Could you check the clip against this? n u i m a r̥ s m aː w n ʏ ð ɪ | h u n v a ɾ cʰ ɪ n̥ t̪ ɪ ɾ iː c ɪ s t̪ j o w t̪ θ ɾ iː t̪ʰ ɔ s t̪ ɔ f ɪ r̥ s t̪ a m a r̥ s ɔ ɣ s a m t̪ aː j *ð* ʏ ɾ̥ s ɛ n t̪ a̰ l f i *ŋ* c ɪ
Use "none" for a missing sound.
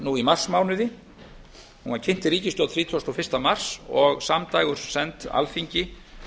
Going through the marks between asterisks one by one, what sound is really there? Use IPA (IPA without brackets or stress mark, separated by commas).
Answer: ɣ, ɲ